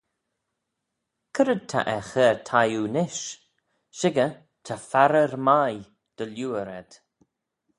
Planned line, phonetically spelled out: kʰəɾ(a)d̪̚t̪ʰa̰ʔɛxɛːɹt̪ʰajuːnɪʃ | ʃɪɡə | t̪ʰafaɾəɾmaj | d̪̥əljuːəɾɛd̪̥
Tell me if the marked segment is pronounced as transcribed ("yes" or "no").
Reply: no